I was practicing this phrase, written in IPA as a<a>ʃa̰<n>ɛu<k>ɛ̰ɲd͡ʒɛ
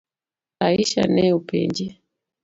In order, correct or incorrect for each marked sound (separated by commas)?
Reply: incorrect, correct, incorrect